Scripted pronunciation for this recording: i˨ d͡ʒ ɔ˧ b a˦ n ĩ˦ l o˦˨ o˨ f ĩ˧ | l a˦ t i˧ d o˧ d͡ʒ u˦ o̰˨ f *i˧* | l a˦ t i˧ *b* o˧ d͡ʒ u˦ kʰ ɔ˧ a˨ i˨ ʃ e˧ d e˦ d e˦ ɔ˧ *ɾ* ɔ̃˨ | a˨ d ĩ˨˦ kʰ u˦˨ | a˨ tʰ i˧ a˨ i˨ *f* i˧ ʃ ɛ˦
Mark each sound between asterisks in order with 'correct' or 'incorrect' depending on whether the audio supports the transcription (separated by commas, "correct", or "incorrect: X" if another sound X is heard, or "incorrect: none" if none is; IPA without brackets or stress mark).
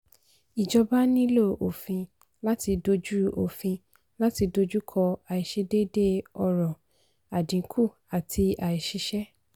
incorrect: ĩ˧, incorrect: d, correct, incorrect: ʃ